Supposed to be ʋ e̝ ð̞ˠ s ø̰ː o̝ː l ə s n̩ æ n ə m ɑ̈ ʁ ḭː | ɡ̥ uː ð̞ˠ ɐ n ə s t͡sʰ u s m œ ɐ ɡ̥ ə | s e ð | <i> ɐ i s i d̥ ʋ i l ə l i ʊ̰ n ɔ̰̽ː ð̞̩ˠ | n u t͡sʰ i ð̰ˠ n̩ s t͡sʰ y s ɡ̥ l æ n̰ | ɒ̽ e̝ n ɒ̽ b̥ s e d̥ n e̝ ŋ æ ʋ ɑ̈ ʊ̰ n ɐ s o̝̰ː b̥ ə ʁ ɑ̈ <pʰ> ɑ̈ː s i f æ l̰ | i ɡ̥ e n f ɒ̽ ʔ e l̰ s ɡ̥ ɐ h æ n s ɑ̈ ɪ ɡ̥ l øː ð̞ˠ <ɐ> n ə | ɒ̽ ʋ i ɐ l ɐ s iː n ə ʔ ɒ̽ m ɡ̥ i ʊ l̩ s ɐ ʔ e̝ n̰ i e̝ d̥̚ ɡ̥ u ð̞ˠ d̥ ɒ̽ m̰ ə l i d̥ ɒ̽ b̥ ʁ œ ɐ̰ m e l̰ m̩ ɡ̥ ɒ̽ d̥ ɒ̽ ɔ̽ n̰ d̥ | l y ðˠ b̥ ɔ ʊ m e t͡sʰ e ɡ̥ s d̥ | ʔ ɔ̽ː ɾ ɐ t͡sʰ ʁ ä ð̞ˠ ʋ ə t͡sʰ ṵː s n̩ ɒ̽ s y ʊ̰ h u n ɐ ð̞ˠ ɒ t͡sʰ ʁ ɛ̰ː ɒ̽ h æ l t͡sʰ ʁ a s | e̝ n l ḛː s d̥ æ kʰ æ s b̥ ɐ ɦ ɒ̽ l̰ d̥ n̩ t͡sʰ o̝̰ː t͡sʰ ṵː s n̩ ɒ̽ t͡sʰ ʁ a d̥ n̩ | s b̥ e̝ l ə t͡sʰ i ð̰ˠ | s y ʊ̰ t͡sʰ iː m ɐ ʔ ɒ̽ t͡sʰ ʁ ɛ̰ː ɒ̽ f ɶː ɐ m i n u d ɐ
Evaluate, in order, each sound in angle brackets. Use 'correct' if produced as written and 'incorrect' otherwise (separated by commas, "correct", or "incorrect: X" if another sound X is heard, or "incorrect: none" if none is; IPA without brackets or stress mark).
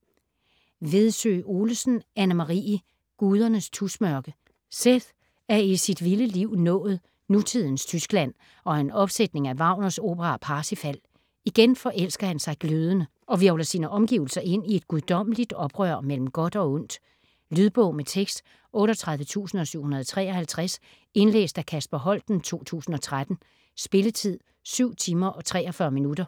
incorrect: æ, correct, incorrect: ə